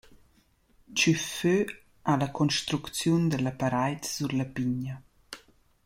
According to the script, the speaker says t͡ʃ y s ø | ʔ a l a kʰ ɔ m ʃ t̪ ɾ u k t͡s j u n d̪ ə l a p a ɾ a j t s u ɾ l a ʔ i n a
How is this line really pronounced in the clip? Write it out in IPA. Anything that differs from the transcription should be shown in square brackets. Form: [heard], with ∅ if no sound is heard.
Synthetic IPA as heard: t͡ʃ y [f] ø | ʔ a l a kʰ ɔ [n] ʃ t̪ ɾ u k t͡s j u n d̪ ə l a p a ɾ a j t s u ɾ l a [p] i [ɲ] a